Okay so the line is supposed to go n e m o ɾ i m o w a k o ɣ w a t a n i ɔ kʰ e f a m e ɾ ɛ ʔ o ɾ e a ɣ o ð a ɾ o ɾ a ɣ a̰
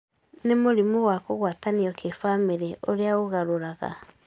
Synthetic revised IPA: n e m o ɾ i m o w a k o ɣ w a t a n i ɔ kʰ e f a m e ɾ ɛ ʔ o ɾ e a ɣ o ɣ a ɾ o ɾ a ɣ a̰